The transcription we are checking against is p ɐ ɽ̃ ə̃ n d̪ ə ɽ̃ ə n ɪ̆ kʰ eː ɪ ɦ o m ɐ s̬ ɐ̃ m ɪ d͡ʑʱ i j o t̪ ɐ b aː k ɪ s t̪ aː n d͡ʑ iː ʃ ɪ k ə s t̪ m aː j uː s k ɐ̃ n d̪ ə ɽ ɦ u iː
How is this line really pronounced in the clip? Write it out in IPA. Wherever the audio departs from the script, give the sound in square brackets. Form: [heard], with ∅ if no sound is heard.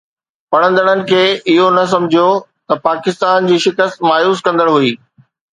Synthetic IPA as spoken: p ɐ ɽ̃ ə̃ n d̪ ə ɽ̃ ə n ɪ̆ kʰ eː ɪ ɦ o [n] ɐ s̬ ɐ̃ m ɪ d͡ʑʱ i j o t̪ ɐ [p] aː k ɪ s t̪ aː n d͡ʑ iː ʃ ɪ k ə s t̪ m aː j uː s k ɐ̃ n d̪ ə ɽ ɦ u iː